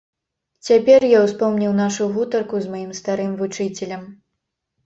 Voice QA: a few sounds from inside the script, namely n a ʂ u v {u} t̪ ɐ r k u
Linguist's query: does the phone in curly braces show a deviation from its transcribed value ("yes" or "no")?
no